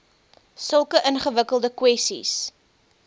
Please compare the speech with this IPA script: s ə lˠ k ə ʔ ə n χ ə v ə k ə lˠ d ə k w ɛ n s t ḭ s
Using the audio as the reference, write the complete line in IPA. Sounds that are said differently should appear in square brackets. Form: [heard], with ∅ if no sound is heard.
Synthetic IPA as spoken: s ə lˠ k ə ʔ ə n χ ə v ə k ə lˠ d ə k w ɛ [∅] s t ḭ s